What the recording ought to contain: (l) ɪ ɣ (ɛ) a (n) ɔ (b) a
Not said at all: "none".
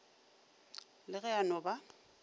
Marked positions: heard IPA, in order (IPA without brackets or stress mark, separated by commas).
l, ɛ, n, b